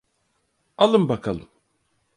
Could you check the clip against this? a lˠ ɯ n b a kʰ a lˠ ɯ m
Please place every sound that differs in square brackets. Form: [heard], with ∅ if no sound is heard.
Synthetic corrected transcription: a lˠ ɯ [m] b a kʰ a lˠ ɯ m

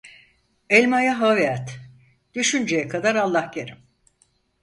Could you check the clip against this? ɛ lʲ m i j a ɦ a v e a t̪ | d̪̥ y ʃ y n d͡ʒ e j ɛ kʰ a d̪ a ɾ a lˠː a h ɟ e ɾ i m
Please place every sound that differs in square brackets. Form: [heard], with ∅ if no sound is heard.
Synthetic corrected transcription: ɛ lʲ m [a] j a ɦ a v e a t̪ | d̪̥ y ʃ y n d͡ʒ e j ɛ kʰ a d̪ a ɾ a lˠː a h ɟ e ɾ i m

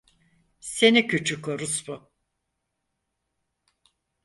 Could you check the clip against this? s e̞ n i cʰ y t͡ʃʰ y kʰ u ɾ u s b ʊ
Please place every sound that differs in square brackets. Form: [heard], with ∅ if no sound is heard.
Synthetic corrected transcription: s e̞ n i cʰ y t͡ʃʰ y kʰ [o] ɾ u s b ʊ

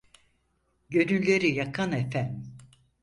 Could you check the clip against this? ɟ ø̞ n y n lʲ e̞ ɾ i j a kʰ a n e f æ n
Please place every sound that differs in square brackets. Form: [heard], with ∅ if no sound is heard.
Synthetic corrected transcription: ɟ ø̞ n y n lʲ e̞ ɾ i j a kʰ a n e f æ n

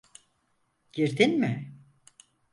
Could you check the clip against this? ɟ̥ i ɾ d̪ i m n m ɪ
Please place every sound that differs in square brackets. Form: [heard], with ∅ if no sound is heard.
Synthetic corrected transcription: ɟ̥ i ɾ d̪ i [∅] n m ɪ

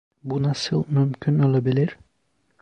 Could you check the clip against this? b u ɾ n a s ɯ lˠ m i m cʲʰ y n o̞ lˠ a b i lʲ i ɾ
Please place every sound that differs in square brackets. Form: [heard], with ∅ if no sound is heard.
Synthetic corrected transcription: b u [∅] n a s ɯ lˠ m [y] m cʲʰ y n o̞ lˠ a b i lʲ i ɾ

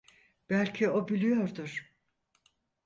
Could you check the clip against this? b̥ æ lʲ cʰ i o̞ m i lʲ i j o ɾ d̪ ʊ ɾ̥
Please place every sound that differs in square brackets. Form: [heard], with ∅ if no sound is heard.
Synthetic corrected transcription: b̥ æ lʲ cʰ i o̞ [b] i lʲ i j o ɾ d̪ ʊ ɾ̥

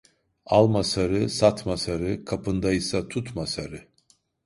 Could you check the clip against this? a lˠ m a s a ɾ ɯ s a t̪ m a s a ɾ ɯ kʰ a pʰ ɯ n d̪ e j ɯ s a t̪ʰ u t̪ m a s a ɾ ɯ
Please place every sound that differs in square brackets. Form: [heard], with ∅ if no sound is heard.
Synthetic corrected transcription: a lˠ m a s a ɾ ɯ s a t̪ m a s a ɾ ɯ kʰ a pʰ ɯ n d̪ [a] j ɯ s a t̪ʰ u t̪ m a s a ɾ ɯ

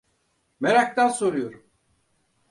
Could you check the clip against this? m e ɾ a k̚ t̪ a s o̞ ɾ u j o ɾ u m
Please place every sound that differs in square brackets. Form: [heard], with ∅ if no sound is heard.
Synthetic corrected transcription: m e ɾ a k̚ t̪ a s o̞ ɾ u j o ɾ u m

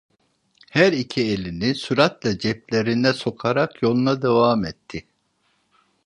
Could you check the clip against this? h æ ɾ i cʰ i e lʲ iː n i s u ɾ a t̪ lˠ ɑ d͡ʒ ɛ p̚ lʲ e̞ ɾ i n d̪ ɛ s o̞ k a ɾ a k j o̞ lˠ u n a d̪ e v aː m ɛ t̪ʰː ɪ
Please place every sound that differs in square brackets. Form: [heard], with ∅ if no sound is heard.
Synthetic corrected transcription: h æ ɾ i cʰ i e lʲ [i] n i s u ɾ a t̪ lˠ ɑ d͡ʒ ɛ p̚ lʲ e̞ ɾ i n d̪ ɛ s o̞ [kʰ] a ɾ a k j o̞ lˠ u n a d̪ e v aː m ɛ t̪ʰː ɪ

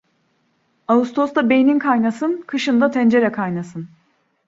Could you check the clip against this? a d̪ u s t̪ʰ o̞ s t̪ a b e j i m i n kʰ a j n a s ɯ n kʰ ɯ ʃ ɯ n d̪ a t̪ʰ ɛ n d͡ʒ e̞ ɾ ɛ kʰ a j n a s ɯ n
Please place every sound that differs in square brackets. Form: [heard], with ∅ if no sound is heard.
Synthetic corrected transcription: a [∅] u s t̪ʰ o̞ s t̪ a b e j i [n] i n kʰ a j n a s ɯ n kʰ ɯ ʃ ɯ n d̪ a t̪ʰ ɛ n d͡ʒ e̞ ɾ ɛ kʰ a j n a s ɯ n

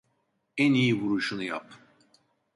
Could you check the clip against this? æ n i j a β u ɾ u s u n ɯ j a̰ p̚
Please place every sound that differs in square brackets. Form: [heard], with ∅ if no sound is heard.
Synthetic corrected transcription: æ n i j [i] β u ɾ u [ʃ] u n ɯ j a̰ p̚

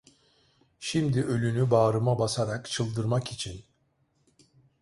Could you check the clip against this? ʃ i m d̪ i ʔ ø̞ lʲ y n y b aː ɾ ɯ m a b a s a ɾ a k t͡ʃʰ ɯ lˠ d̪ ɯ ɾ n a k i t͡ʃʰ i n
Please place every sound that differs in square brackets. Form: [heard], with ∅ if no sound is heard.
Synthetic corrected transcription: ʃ i m d̪ i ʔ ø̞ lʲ y n y b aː ɾ ɯ m a b a s a ɾ a k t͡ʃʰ ɯ lˠ d̪ ɯ ɾ [m] a k i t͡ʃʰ i n

